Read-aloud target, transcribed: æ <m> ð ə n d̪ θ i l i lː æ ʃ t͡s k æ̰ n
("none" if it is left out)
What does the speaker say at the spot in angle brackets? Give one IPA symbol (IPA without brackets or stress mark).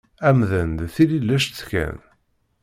m